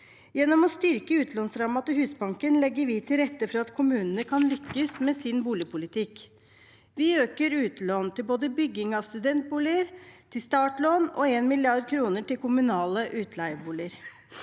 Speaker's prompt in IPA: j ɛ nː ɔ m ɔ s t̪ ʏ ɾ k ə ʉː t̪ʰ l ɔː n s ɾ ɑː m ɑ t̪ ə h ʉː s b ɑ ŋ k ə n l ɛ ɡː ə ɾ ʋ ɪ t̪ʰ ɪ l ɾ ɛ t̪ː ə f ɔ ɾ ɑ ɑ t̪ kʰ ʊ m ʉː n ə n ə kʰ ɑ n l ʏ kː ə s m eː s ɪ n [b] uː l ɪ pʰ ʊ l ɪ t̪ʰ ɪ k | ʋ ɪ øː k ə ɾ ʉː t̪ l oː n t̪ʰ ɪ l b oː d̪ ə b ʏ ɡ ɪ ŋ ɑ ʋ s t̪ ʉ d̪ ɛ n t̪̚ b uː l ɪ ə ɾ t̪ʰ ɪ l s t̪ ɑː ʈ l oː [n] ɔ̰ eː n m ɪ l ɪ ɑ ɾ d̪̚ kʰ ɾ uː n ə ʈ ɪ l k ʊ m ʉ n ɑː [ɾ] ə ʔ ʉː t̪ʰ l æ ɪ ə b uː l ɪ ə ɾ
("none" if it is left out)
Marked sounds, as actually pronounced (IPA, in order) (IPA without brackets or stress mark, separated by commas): b, n, l